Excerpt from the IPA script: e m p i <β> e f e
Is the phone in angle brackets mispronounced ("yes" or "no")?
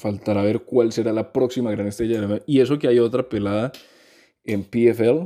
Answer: yes